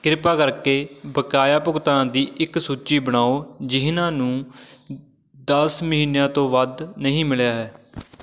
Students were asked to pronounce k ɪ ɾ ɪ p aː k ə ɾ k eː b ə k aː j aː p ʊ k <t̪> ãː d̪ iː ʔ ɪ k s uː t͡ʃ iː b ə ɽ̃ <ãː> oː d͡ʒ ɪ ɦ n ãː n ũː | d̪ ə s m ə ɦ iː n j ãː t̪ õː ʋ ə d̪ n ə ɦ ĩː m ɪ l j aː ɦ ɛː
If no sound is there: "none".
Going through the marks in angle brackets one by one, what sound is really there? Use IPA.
t̪, aː

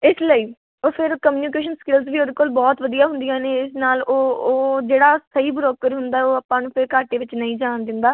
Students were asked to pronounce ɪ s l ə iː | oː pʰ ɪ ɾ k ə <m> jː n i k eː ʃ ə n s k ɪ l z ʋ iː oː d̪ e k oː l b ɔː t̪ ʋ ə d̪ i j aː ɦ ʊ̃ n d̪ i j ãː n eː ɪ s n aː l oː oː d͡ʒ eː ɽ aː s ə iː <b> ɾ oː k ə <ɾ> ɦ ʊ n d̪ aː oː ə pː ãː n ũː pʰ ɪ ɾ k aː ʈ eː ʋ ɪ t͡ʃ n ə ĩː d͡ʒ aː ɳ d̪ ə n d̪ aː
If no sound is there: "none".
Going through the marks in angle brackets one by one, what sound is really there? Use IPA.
m, b, ɾ

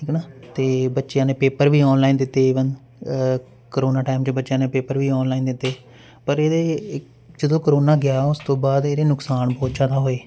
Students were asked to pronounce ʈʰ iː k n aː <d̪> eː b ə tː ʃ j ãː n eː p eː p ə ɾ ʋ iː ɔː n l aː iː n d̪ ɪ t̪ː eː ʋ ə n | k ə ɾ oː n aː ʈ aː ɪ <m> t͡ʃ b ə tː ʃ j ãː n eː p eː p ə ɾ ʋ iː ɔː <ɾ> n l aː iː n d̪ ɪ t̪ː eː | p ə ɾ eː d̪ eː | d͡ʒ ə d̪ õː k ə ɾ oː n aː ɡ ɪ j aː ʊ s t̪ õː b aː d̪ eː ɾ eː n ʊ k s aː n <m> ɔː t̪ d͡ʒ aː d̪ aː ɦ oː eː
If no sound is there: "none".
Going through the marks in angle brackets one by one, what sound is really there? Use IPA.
t̪, m, none, b

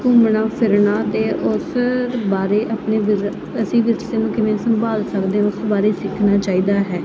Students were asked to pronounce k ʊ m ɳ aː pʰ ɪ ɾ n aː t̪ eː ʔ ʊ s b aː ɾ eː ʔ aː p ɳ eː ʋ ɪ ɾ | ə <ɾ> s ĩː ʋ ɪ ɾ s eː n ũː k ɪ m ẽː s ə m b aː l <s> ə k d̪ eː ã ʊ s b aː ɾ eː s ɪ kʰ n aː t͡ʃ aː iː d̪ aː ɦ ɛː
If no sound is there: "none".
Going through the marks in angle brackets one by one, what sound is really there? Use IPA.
none, s

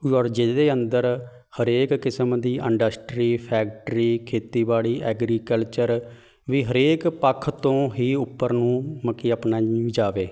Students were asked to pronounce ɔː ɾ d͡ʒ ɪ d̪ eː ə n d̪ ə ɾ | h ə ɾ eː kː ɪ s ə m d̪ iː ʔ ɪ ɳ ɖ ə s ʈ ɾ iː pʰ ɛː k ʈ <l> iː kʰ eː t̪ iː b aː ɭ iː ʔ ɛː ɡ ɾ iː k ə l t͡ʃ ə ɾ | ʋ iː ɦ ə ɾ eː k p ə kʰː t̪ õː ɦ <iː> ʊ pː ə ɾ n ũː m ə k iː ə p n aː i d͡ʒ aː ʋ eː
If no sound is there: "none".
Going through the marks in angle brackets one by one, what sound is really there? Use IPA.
ɾ, iː

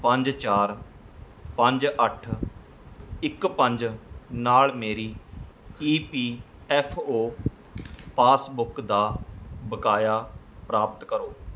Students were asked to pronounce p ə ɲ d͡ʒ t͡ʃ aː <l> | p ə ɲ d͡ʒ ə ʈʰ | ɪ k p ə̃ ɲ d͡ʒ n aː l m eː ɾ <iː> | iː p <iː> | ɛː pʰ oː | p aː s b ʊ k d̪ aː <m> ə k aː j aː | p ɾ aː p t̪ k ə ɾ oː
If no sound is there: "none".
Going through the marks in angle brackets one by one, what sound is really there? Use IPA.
ɾ, iː, iː, b

